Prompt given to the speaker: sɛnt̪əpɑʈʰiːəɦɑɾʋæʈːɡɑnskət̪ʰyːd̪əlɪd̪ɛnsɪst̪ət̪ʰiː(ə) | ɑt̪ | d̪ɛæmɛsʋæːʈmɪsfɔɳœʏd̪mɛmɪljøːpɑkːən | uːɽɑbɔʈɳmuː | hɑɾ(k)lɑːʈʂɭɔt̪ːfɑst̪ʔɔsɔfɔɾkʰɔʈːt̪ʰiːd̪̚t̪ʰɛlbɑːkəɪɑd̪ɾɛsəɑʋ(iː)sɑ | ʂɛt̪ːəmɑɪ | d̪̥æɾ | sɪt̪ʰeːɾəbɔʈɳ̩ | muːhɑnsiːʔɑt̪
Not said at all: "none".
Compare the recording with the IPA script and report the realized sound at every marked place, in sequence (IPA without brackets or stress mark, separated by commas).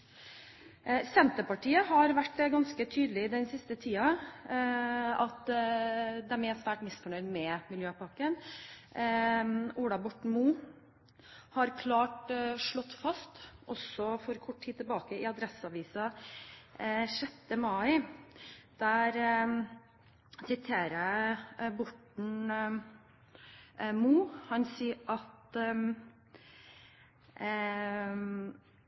ɑ, kʰ, iː